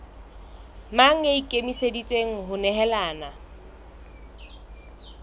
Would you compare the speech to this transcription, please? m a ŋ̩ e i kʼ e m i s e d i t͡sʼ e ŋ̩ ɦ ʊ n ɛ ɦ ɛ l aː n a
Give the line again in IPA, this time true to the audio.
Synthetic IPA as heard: m a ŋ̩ e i kʼ e m i s e d i t͡sʼ e ŋ̩ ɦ ʊ n ɛ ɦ ɛ l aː n a